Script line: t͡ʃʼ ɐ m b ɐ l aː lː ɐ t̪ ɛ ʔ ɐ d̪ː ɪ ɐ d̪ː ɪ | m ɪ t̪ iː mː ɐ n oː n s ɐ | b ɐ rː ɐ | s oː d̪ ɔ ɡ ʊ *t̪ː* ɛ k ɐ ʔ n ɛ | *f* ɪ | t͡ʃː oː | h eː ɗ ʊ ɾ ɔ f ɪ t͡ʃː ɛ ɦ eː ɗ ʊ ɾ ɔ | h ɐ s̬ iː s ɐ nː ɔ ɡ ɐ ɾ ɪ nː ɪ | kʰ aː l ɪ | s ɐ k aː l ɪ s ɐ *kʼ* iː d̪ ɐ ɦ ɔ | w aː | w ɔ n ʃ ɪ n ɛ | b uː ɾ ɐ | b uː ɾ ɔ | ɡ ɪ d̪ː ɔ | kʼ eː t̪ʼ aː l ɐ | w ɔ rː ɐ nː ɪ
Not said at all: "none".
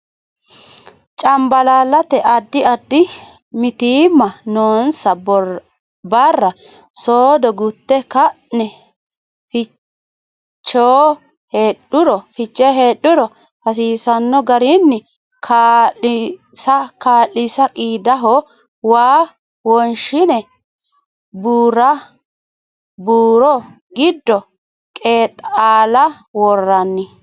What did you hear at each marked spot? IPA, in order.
t̪ː, f, kʼ

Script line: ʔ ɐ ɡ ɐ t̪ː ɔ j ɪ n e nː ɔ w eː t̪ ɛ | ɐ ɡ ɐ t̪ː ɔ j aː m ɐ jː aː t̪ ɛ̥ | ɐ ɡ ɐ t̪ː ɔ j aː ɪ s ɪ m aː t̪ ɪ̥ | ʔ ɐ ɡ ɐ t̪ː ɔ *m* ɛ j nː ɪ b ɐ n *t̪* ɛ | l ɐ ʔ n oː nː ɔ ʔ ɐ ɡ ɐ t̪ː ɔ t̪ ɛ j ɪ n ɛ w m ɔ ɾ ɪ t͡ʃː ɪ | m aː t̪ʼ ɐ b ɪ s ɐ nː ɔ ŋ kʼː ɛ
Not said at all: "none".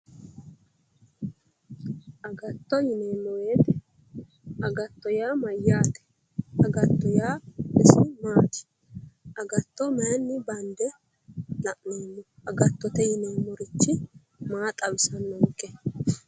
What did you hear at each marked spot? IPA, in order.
m, d̪

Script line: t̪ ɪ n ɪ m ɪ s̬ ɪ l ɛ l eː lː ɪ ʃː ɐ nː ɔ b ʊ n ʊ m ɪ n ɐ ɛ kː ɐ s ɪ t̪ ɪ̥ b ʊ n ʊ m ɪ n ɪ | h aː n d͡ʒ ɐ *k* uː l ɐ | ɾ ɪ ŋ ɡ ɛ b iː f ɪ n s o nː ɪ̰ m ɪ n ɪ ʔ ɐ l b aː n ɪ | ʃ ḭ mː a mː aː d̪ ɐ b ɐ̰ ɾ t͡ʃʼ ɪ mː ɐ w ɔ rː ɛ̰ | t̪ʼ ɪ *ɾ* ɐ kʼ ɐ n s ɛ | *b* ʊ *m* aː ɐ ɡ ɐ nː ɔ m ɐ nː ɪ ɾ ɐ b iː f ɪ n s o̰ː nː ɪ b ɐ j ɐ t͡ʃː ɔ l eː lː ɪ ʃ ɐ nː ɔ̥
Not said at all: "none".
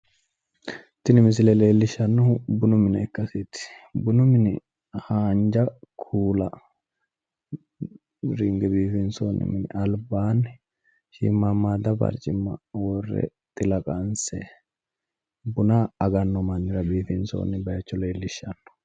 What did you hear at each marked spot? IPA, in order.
kʰ, l, b, n

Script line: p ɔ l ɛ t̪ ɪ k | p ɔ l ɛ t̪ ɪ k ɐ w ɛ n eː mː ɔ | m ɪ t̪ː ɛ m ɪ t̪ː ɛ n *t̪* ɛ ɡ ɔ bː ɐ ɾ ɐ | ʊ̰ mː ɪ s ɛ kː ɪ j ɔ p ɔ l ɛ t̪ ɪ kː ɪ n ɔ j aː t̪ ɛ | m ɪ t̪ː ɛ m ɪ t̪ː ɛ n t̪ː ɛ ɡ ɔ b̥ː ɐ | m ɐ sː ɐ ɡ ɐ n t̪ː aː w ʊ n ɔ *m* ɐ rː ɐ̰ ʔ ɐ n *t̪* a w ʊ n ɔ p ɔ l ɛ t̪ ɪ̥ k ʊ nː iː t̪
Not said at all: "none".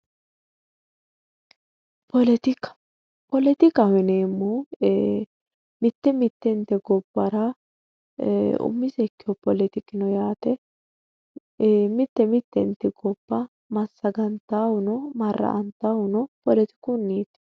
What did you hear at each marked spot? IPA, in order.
t̪, m, t̪

